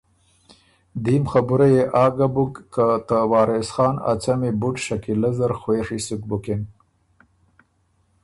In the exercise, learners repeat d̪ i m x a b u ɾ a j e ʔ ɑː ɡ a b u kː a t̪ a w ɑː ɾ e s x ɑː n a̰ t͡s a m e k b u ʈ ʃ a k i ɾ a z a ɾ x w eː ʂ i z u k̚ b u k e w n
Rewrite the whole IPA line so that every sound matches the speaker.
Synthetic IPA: d̪ i m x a b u ɾ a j e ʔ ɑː ɡ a b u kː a t̪ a w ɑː ɾ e s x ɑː n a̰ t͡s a m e b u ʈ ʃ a k i l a z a ɾ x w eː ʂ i s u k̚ b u k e n